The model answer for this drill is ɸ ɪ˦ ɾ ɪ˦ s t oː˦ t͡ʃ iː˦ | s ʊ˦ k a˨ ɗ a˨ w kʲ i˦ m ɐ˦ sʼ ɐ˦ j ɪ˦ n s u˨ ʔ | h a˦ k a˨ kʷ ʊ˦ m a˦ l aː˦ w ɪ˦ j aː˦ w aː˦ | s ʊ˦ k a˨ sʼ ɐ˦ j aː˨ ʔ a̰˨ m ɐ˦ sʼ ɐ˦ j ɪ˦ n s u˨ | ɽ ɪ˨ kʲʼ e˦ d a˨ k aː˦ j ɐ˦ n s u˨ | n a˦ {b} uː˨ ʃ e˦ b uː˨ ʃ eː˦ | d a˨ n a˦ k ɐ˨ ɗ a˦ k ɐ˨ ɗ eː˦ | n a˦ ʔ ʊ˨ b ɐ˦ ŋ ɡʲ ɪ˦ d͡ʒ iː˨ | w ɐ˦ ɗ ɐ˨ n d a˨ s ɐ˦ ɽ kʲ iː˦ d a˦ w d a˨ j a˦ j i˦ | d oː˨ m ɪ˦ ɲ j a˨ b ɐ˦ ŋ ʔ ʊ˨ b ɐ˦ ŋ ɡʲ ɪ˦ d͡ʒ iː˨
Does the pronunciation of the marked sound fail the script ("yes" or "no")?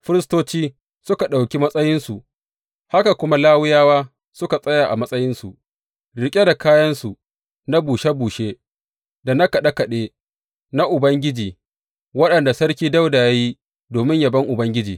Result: no